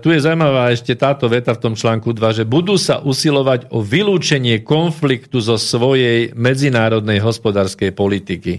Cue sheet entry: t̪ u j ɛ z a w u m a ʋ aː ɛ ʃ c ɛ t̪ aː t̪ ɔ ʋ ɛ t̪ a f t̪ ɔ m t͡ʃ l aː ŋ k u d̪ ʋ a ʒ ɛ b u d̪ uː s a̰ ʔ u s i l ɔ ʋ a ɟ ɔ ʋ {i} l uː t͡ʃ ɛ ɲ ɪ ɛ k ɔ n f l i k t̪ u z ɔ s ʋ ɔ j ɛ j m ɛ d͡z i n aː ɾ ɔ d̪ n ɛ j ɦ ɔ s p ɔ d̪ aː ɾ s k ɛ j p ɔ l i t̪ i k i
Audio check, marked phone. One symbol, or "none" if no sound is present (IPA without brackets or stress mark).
i